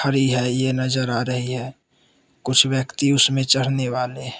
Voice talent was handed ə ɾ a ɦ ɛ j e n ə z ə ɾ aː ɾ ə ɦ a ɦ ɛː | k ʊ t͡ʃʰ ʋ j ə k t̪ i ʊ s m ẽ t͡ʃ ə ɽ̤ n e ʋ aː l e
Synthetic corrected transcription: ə ɾ i ɦ ɛ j e n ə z ə ɾ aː ɾ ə ɦ i ɦ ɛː | k ʊ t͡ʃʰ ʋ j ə k t̪ i ʊ s m ẽ t͡ʃ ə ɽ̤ n e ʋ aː l e